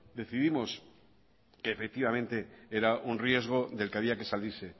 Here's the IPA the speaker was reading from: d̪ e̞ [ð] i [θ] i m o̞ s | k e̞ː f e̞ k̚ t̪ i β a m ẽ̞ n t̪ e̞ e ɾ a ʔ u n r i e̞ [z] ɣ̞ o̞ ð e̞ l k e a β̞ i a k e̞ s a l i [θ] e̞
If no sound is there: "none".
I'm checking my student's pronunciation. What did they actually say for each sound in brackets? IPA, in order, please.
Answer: θ, ð, z, s

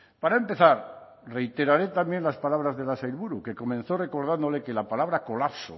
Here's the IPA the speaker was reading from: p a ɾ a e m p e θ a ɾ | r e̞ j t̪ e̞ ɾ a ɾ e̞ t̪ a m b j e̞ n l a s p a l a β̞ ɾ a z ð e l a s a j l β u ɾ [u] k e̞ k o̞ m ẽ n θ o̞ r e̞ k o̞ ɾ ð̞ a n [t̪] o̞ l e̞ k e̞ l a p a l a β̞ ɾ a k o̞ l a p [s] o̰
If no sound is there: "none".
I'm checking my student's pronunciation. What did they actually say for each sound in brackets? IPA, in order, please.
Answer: u, d̪, s

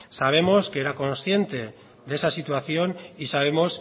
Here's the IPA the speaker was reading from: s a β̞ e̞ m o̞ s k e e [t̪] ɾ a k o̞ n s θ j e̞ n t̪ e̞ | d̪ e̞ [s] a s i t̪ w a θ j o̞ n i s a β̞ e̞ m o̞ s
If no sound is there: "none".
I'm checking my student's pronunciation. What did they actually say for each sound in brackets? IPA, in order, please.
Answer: none, s

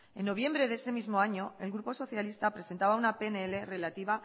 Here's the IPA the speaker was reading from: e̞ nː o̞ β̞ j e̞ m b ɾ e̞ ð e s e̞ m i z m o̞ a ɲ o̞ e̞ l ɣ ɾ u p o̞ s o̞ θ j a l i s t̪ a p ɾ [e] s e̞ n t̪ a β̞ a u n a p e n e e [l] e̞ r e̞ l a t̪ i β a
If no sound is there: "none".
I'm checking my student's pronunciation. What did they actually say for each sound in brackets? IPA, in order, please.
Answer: e, l

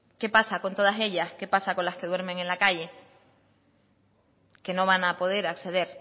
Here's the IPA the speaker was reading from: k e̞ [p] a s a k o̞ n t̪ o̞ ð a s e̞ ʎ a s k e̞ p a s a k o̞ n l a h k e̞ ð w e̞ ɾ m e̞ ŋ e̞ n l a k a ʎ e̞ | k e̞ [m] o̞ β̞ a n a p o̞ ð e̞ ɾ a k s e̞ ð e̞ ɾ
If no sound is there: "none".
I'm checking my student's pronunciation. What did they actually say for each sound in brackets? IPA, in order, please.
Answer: p, n

